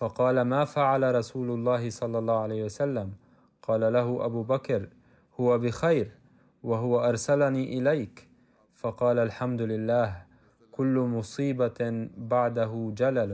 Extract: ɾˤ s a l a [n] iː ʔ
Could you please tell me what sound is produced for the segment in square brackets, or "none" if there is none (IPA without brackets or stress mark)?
n